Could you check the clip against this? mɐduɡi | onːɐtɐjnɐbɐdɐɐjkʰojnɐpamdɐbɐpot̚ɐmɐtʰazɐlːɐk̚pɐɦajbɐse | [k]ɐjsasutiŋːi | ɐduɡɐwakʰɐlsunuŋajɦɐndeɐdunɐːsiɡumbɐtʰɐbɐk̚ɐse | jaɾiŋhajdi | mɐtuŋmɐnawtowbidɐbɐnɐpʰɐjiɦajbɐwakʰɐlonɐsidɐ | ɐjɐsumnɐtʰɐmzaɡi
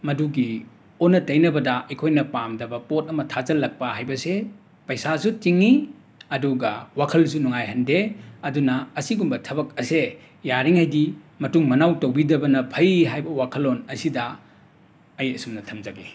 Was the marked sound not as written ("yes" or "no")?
yes